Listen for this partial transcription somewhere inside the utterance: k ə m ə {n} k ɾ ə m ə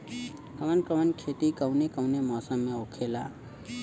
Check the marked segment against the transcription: correct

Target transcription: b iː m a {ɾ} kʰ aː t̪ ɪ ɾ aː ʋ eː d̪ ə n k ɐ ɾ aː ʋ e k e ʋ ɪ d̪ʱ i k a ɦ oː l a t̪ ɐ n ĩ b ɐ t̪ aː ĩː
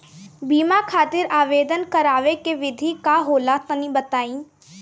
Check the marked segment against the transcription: incorrect: none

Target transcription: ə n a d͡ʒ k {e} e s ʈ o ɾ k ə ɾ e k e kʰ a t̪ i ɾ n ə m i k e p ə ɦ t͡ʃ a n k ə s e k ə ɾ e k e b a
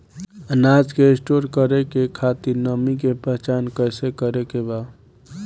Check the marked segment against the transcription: correct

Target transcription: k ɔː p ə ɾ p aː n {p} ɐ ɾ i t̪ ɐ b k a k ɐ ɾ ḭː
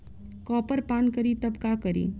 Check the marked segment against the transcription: incorrect: k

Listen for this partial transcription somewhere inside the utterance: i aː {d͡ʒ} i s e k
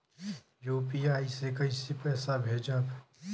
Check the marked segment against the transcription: incorrect: none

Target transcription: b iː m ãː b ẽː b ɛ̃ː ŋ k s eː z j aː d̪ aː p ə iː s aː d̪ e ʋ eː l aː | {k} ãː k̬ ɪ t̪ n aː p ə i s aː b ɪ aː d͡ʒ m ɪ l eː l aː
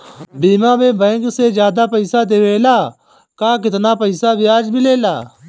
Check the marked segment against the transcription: correct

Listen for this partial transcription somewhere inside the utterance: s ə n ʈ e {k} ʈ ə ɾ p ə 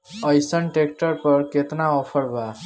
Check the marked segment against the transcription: correct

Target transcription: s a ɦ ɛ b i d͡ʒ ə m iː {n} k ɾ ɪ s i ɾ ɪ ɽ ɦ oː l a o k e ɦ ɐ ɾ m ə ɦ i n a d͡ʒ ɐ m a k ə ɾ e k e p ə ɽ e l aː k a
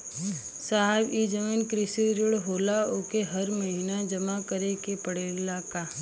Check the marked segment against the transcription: correct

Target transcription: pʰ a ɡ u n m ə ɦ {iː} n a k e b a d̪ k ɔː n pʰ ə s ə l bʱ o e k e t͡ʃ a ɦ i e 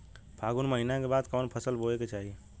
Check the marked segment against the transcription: incorrect: i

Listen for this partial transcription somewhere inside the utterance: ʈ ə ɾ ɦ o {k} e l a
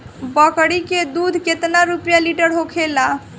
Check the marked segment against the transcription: incorrect: kʰ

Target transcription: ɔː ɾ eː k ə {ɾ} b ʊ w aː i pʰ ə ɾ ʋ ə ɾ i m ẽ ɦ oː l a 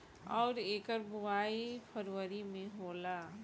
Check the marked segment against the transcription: correct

